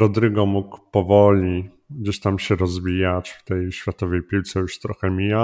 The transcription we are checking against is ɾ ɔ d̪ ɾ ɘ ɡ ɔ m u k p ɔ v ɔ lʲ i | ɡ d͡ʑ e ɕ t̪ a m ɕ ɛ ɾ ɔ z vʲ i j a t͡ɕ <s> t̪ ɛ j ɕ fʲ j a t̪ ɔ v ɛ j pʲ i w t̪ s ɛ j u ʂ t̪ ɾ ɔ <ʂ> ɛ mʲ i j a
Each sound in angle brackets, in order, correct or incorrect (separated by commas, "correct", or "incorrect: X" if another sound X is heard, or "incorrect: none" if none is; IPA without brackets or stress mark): incorrect: f, incorrect: x